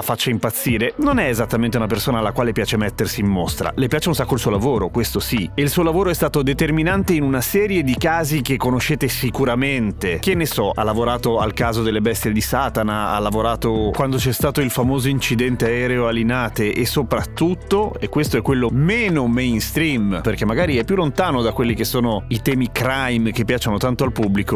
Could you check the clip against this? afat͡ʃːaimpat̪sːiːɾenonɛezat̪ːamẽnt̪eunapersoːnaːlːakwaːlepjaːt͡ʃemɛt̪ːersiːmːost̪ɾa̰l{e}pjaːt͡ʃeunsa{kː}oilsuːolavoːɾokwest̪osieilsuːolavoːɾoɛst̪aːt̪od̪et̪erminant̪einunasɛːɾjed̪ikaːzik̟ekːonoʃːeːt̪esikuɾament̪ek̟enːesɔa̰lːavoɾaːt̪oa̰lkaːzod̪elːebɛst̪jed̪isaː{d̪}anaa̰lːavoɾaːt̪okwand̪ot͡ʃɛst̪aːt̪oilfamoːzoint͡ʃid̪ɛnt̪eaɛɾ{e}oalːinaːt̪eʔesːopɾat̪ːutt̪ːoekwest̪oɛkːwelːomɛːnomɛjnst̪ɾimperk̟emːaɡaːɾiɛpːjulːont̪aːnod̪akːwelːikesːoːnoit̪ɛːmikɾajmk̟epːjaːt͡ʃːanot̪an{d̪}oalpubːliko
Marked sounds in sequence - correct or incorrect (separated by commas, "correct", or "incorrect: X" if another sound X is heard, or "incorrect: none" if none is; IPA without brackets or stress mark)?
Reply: correct, correct, incorrect: t̪, correct, incorrect: t̪